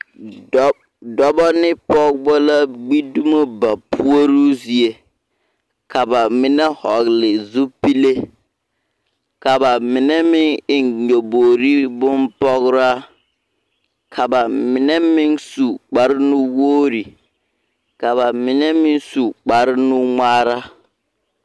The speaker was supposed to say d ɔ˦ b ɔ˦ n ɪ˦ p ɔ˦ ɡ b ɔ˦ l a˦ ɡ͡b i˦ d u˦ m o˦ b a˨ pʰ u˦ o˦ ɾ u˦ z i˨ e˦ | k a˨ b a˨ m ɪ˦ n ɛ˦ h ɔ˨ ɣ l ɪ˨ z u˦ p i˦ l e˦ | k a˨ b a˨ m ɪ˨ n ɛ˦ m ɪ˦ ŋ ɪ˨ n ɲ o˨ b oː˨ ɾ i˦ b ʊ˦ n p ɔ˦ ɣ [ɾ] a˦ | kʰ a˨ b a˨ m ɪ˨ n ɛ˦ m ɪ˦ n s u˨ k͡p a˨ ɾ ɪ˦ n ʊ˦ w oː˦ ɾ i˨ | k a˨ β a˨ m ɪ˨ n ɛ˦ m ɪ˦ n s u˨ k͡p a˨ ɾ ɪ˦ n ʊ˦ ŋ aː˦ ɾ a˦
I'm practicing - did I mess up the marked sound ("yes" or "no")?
no